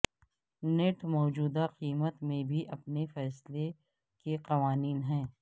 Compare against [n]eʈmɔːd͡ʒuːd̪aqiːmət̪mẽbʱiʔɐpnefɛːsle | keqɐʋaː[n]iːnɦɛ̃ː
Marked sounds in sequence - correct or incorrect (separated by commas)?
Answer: correct, correct